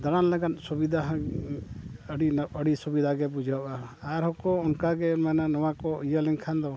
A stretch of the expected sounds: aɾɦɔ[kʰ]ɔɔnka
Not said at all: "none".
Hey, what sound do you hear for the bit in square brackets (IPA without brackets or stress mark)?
k